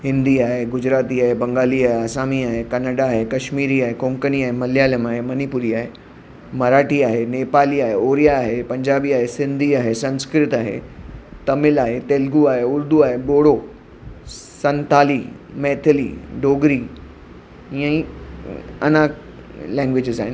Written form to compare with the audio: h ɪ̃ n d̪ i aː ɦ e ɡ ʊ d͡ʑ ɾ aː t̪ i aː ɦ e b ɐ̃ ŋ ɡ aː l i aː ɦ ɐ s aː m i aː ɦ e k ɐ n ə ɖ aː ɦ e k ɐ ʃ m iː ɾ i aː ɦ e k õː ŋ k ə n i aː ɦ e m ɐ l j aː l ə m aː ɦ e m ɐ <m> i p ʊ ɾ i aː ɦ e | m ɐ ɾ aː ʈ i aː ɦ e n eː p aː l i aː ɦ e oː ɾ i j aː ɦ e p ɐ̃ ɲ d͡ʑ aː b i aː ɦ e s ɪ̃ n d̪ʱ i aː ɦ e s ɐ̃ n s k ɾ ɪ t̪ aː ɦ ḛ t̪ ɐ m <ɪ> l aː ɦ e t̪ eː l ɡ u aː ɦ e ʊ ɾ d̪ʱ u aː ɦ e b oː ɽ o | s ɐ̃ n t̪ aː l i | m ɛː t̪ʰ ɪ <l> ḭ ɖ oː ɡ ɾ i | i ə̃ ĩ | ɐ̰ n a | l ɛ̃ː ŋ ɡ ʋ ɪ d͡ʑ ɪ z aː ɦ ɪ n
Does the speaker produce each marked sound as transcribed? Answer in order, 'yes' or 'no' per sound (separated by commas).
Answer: no, yes, yes